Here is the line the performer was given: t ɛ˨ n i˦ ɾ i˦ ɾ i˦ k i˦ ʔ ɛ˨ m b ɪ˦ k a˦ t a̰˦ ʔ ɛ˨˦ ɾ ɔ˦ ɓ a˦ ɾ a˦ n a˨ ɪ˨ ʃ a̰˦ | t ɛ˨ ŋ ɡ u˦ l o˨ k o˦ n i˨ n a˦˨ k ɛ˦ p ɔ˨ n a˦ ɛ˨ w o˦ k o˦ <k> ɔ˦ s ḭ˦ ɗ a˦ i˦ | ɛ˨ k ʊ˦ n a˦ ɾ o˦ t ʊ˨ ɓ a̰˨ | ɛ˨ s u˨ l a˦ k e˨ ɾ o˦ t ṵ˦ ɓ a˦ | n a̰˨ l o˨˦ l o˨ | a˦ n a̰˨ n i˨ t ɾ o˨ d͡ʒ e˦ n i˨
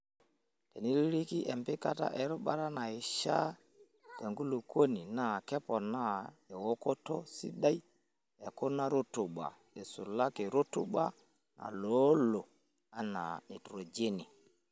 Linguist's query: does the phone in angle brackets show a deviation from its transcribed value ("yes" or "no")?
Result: yes